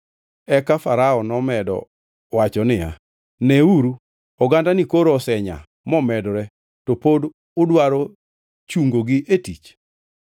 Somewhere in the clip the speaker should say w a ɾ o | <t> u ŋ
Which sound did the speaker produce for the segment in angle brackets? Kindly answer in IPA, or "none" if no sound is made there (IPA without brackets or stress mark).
t͡ʃ